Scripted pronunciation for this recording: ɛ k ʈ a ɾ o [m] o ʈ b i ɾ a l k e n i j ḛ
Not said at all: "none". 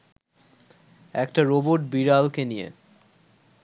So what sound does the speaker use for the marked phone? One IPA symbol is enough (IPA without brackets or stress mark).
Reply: b